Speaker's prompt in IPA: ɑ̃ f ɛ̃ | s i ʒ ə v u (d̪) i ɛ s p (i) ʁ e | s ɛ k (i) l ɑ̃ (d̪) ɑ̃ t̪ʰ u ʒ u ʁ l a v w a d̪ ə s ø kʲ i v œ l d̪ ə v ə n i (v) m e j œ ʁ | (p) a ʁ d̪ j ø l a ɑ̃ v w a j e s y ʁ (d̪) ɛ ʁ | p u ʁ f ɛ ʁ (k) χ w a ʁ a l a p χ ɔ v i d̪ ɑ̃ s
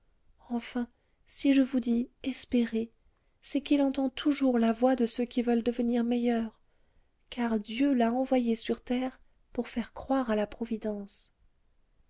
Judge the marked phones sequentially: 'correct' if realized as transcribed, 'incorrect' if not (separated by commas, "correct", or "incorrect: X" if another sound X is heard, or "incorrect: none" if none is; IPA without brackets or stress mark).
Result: correct, incorrect: e, correct, incorrect: t̪, incorrect: ʁ, incorrect: k, incorrect: t̪, correct